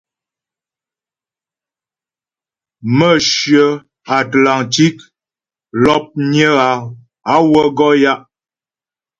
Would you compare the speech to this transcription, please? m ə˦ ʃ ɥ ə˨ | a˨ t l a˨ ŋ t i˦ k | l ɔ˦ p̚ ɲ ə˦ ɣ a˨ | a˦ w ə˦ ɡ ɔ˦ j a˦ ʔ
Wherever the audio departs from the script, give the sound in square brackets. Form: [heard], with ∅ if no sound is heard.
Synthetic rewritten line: m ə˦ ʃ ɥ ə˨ | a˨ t l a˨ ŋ t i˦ k | l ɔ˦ p̚ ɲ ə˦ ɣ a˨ | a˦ w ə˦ ɡ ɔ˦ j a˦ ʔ

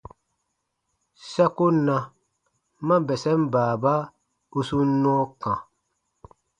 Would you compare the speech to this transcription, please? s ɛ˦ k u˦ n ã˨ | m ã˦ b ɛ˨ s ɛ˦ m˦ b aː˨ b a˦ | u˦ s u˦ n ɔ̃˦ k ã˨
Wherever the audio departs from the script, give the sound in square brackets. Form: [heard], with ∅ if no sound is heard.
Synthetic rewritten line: s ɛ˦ k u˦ n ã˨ | m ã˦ b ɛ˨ s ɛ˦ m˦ b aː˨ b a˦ | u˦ s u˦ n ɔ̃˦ k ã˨

